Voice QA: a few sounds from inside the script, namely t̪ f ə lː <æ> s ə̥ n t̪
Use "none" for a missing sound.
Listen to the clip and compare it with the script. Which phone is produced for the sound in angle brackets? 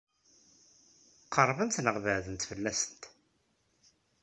æ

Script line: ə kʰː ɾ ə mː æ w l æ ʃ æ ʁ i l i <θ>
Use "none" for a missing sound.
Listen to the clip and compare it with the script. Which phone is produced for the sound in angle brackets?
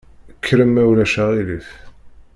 θ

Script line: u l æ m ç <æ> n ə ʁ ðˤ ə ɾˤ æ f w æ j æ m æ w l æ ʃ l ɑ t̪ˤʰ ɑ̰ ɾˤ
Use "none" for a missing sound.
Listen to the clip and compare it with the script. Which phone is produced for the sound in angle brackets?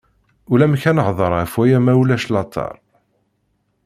æ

